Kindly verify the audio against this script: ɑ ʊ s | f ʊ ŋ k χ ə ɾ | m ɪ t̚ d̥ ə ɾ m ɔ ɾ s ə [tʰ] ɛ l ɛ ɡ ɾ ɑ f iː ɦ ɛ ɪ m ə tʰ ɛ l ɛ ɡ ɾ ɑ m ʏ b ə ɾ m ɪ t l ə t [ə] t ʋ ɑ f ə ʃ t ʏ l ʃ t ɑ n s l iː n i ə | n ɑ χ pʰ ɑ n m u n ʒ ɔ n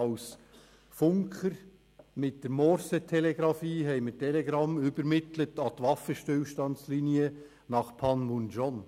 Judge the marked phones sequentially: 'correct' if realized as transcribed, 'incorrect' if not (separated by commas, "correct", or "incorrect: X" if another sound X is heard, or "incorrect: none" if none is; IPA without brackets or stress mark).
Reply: correct, incorrect: ɑ